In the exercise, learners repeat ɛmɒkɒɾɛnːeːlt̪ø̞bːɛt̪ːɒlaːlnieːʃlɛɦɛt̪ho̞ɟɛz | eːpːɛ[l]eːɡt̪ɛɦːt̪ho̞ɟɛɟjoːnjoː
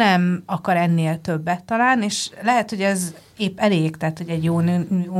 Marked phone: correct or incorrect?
correct